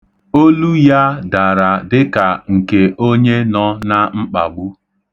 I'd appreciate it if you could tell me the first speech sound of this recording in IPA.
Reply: o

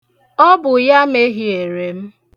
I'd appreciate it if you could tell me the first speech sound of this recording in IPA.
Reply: ɔ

